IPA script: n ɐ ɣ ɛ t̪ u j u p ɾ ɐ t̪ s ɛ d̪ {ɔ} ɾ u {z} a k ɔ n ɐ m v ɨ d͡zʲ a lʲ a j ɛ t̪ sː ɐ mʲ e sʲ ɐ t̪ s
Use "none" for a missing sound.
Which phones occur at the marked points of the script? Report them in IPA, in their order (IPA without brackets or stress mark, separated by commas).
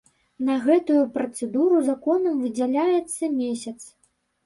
u, z